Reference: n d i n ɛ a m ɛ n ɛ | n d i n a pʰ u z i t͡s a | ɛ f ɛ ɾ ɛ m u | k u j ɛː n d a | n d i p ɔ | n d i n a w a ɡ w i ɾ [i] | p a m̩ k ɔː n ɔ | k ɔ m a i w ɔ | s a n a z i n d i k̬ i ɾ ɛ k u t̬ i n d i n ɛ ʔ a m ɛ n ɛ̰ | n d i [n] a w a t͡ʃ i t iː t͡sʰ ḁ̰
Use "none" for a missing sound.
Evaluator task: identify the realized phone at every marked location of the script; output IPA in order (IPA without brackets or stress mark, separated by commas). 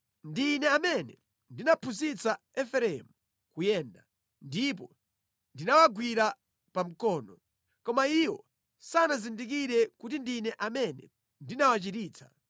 a, n